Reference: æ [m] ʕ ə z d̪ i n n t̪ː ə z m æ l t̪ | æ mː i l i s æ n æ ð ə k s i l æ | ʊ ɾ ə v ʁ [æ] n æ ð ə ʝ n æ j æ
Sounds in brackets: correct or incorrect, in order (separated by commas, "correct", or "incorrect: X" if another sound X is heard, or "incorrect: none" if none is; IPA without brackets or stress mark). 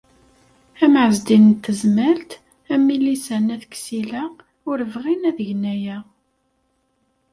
correct, incorrect: i